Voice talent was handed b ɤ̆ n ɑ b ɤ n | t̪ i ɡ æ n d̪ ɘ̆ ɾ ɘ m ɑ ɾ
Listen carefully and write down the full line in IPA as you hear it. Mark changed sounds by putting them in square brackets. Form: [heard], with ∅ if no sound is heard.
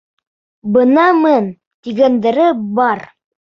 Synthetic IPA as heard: b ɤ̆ n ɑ [m] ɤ n | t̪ i ɡ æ n d̪ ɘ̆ ɾ ɘ [b] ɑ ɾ

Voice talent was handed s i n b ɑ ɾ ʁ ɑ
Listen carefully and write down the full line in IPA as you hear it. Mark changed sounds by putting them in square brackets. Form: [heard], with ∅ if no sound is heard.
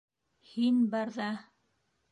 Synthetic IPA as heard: [h] i n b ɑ ɾ [ð] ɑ

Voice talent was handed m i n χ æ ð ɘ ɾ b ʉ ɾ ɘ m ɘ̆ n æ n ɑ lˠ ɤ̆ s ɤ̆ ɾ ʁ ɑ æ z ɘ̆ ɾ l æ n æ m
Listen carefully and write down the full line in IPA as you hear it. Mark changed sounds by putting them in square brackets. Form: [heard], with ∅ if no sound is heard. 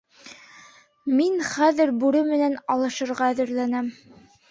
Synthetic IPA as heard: m i n χ æ ð ɘ ɾ b ʉ ɾ ɘ m ɘ̆ n æ n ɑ lˠ ɤ̆ [ʃ] ɤ̆ ɾ ʁ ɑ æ [ð] ɘ̆ ɾ l æ n æ m

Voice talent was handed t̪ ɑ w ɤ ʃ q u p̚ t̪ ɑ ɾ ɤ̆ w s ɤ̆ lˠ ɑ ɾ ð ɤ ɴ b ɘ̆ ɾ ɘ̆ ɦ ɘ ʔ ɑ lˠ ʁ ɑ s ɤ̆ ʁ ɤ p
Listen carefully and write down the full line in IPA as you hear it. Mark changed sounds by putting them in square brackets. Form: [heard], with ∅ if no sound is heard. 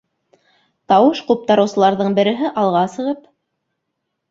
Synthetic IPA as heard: t̪ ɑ w ɤ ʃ q u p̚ t̪ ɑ ɾ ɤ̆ w s ɤ̆ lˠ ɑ ɾ ð ɤ ɴ b ɘ̆ ɾ ɘ̆ ɦ ɘ ʔ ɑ lˠ ʁ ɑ s ɤ̆ ʁ ɤ p

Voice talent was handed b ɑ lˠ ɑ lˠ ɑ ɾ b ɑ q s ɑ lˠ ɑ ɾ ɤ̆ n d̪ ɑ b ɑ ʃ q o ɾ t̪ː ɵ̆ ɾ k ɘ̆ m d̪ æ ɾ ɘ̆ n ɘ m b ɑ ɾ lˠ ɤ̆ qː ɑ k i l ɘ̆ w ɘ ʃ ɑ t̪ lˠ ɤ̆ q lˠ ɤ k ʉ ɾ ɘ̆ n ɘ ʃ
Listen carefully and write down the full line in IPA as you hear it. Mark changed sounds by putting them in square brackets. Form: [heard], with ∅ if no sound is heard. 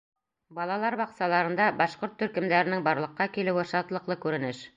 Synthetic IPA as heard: b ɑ lˠ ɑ lˠ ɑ ɾ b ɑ q s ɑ lˠ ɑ ɾ ɤ̆ n d̪ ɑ b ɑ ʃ q o ɾ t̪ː ɵ̆ ɾ k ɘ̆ m d̪ æ ɾ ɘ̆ n ɘ [ŋ] b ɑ ɾ lˠ ɤ̆ qː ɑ k i l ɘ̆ w ɘ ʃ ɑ t̪ lˠ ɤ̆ q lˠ ɤ k ʉ ɾ ɘ̆ n ɘ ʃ

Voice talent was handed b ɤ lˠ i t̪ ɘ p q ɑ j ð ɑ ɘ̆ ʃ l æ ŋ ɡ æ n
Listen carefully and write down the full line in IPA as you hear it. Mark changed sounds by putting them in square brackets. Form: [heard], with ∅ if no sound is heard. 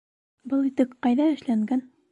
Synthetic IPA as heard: b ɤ lˠ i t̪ ɘ [k] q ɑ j ð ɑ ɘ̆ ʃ l æ ŋ ɡ æ n

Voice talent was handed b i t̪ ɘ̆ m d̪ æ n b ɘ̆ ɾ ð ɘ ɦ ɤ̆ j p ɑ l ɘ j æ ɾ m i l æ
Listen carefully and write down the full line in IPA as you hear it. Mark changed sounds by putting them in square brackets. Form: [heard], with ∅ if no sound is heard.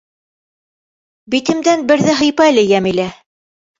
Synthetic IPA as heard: b i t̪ ɘ̆ m d̪ æ n b ɘ̆ ɾ ð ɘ ɦ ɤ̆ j p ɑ l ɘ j æ [∅] m i l æ

